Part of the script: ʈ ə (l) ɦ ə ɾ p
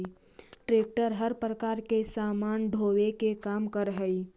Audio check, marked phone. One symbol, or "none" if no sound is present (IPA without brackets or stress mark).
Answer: ɾ